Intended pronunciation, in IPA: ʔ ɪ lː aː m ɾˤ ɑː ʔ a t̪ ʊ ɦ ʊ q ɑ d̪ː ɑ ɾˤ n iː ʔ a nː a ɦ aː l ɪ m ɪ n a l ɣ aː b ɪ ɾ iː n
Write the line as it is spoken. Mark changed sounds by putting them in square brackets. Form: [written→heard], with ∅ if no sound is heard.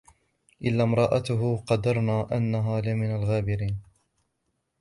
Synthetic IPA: ʔ ɪ lː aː m ɾˤ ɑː ʔ a t̪ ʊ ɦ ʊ q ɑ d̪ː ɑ ɾˤ n [iː→aː] ʔ a nː a ɦ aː l ɪ m ɪ n a l ɣ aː b ɪ ɾ iː n

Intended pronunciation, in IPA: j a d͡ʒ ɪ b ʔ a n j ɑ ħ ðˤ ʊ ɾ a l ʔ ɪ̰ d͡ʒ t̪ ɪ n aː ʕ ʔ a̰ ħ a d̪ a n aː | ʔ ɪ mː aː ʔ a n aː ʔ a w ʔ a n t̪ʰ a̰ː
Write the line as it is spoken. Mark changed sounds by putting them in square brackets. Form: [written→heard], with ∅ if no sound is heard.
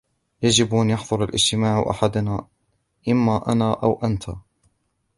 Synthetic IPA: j a d͡ʒ ɪ b ʔ a n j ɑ ħ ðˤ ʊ ɾ a l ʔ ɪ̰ d͡ʒ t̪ ɪ [n→m] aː ʕ ʔ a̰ ħ a d̪ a n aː | ʔ ɪ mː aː ʔ a n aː ʔ a w ʔ a n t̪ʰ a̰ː

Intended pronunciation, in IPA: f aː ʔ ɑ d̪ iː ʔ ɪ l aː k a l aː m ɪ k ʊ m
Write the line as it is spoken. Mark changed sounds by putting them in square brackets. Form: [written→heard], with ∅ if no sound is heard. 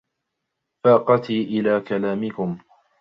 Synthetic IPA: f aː [ʔ→q] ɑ [d̪→t̪] iː ʔ ɪ l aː k a l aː m ɪ k ʊ m

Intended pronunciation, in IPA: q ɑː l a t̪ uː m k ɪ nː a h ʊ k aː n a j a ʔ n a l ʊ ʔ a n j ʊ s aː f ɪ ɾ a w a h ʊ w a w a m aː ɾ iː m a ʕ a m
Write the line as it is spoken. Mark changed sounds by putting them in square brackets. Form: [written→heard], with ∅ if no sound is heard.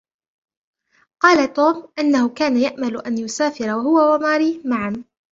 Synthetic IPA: q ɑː l a t̪ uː m [k→ʔ] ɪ nː a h ʊ k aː n a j a ʔ [n→m] a l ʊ ʔ a n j ʊ s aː f ɪ ɾ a w a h ʊ w a w a m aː ɾ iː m a ʕ a m

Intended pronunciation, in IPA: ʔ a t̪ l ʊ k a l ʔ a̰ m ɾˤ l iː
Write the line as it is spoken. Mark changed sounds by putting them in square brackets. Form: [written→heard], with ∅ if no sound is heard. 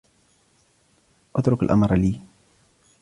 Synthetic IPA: ʔ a t̪ [l→ɾ] ʊ k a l ʔ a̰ m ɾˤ l iː

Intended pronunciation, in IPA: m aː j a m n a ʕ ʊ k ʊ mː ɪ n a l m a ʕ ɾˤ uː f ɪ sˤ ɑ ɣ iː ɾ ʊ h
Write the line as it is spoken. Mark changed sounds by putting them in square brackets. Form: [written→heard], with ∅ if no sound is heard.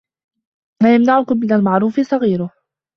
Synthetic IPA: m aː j a m n a ʕ ʊ k ʊ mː ɪ n a l m a ʕ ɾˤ uː f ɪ sˤ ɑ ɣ iː ɾ ʊ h

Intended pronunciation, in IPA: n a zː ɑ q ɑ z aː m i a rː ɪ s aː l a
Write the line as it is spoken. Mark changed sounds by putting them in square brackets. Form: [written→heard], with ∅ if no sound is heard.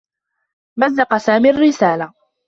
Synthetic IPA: [n→m] a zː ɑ q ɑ [z→s] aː m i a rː ɪ s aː l a

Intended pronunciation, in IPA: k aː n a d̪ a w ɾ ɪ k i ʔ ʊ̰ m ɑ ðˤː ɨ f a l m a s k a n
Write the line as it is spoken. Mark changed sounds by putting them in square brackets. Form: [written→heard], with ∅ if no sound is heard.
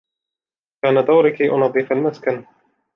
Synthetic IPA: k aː n a d̪ a w ɾ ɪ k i ʔ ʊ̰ [m→n] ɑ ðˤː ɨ f a l m a s k a n

